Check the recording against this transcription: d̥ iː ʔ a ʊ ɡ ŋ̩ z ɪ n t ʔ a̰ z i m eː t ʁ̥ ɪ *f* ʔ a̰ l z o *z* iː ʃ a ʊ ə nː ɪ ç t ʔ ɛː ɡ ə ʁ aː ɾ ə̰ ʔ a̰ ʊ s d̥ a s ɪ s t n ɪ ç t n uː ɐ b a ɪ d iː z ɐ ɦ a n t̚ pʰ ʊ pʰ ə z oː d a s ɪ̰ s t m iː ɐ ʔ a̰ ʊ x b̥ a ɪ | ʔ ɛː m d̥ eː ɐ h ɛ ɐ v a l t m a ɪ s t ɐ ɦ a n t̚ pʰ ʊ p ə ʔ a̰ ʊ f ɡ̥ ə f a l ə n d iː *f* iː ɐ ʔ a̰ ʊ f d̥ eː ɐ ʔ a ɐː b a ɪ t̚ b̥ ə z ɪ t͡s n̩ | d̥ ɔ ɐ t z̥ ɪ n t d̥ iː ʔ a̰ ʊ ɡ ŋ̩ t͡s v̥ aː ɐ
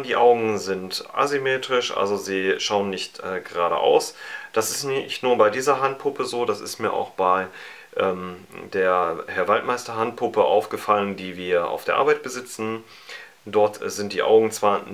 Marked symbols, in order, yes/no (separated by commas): no, yes, no